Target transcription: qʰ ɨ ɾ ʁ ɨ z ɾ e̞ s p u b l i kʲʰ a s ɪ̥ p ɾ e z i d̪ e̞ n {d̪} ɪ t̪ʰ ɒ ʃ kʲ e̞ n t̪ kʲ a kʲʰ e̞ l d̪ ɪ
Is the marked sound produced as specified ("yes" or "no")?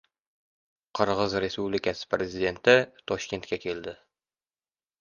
no